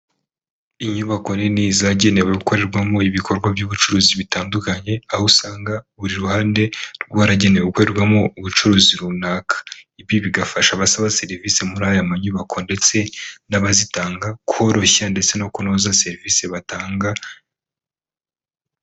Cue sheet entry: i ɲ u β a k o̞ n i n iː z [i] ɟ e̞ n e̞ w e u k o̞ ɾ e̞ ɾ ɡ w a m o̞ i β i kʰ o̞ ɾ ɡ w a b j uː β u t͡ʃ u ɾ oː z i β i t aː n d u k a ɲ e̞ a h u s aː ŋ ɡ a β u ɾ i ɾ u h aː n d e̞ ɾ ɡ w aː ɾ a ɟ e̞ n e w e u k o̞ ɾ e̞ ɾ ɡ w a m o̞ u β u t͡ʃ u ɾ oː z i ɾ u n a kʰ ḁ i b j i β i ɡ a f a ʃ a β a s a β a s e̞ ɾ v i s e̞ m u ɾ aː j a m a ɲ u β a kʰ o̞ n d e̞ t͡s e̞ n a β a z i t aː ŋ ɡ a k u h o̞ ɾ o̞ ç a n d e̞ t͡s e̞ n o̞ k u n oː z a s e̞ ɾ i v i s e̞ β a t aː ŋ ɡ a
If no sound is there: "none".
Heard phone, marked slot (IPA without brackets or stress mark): a